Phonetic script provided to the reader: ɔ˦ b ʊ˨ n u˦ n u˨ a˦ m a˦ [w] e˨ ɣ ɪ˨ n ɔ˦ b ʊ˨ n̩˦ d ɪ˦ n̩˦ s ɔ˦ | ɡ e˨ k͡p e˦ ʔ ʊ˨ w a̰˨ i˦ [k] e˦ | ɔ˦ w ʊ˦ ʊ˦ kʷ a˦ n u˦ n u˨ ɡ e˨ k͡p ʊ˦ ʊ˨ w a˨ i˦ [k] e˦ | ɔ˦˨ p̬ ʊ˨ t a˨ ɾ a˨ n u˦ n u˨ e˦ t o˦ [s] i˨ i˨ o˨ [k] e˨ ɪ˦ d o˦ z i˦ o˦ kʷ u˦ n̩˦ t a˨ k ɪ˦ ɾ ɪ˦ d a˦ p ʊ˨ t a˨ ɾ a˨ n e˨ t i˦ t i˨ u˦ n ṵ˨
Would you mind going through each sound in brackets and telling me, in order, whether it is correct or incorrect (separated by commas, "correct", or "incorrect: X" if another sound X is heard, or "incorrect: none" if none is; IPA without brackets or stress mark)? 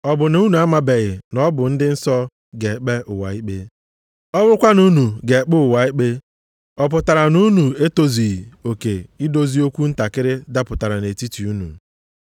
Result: incorrect: b, incorrect: k͡p, incorrect: k͡p, incorrect: z, correct